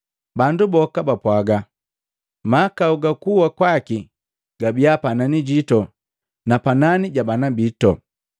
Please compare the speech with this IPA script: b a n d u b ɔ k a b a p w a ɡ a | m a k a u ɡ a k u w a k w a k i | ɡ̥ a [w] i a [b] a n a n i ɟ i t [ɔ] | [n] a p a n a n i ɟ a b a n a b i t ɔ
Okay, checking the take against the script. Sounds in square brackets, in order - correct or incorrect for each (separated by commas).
incorrect, incorrect, correct, correct